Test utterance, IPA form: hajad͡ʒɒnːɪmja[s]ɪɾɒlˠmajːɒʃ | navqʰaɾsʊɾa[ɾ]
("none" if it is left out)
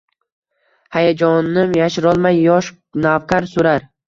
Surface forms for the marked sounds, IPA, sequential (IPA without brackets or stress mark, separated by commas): ʃ, ɾ